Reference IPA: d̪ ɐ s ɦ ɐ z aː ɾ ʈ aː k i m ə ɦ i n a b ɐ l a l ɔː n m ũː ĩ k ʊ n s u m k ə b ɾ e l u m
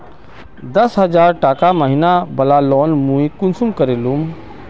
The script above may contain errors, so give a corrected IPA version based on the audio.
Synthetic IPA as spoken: d̪ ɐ s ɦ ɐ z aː ɾ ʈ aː k a m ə ɦ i n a b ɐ l a l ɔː n m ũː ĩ k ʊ n s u m k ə ɾ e l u m

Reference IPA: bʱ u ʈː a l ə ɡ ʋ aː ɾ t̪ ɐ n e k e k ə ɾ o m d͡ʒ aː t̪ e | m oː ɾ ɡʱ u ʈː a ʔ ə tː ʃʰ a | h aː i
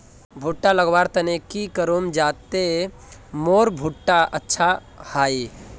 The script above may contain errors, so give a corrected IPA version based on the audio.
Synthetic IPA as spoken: bʱ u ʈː a l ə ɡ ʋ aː ɾ t̪ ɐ n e k i k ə ɾ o m d͡ʒ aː t̪ e | m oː ɾ bʱ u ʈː a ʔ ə tː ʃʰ a | h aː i

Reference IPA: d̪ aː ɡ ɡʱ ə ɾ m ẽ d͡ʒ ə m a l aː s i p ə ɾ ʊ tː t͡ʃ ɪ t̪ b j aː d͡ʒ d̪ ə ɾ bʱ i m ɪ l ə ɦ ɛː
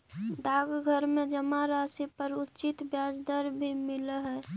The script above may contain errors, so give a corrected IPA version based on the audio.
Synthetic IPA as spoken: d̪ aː ɡ ɡʱ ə ɾ m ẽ d͡ʒ ə m a ɾ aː s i p ə ɾ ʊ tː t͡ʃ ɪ t̪ b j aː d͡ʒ d̪ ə ɾ bʱ i m ɪ l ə ɦ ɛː

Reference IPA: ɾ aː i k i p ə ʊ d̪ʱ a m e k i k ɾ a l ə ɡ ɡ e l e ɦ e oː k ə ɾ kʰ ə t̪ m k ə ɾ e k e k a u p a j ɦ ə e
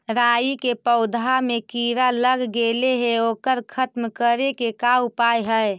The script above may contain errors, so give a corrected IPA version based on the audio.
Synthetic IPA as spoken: ɾ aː i k e p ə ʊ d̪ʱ a m e k i ɾ a l ə ɡ ɡ e l e ɦ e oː k ə ɾ kʰ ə t̪ m k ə ɾ e k e k a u p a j ɦ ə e

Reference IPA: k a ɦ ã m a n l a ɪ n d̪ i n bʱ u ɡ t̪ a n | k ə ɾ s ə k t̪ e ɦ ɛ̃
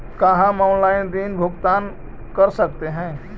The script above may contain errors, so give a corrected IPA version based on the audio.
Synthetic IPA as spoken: k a ɦ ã m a n l a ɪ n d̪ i n bʱ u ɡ t̪ a n | k ə ɾ s ə k t̪ e ɦ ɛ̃

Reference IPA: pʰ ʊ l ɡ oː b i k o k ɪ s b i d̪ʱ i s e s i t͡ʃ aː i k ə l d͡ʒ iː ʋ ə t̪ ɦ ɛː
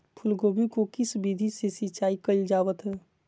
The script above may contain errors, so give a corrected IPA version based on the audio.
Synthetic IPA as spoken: pʰ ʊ l ɡ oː b i k o k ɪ s b i d̪ʱ i s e s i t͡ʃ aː i k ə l d͡ʒ aː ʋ ə t̪ ɦ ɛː

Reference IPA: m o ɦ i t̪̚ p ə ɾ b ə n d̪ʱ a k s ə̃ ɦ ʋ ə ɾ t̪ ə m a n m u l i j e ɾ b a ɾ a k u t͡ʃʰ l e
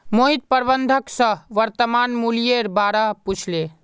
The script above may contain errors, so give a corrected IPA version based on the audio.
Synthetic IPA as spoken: m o ɦ i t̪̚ p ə ɾ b ə n d̪ʱ ə k s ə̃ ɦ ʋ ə ɾ t̪ ə m a n m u l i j e ɾ b a ɾ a p u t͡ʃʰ l e

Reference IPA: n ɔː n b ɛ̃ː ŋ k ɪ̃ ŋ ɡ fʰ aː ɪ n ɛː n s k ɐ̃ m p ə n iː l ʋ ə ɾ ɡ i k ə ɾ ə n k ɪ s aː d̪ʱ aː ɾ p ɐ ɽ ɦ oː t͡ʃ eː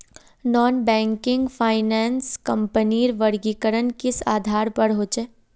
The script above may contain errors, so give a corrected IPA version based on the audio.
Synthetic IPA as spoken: n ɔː n b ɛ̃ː ŋ k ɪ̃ ŋ ɡ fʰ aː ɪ n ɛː n s k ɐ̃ m p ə n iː ɾ ʋ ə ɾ ɡ i k ə ɾ ə n k ɪ s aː d̪ʱ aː ɾ p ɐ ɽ ɦ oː t͡ʃ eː

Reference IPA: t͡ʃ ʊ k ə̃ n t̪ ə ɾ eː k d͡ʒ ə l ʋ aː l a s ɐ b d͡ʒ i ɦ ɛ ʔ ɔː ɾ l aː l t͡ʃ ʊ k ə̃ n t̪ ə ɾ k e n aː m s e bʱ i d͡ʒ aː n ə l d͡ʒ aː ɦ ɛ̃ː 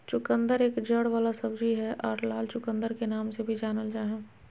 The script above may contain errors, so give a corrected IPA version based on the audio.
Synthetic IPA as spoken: t͡ʃ ʊ k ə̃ n d̪ ə ɾ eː k d͡ʒ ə ɽ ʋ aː l a s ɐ b d͡ʒ i ɦ ɛ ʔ ɔː ɾ l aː l t͡ʃ ʊ k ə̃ n d̪ ə ɾ k e n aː m s e bʱ i d͡ʒ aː n ə l d͡ʒ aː ɦ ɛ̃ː

